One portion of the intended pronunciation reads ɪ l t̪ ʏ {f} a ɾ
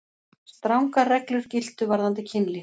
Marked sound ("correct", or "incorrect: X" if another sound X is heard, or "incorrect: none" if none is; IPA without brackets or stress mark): incorrect: v